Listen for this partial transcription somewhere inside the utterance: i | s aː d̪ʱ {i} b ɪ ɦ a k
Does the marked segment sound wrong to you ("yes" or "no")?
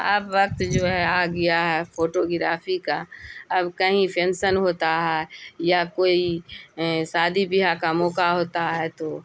no